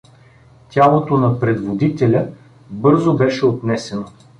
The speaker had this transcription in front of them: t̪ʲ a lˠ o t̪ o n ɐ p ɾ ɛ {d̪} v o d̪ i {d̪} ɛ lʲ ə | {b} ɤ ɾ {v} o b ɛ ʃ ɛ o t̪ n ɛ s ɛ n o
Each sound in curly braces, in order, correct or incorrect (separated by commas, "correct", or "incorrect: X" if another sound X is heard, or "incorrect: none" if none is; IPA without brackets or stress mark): correct, incorrect: t̪, correct, incorrect: z